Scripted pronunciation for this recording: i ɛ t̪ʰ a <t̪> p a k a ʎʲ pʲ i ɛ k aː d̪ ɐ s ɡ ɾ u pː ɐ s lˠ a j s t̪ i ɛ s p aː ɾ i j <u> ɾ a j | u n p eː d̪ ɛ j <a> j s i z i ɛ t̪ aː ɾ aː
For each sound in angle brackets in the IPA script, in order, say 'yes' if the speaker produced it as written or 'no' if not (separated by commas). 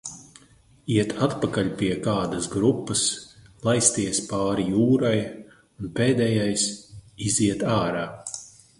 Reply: yes, no, yes